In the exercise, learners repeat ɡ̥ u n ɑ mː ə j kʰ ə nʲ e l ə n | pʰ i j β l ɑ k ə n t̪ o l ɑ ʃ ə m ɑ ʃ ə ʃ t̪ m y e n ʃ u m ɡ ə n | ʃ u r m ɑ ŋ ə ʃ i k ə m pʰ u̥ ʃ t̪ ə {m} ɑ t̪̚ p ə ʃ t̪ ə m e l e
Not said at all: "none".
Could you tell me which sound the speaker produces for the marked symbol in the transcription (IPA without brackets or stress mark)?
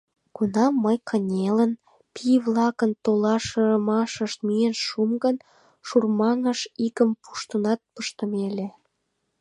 n